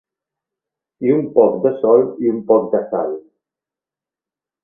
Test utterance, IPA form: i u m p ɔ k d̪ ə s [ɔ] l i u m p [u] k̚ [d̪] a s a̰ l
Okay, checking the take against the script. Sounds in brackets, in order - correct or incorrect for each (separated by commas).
correct, incorrect, correct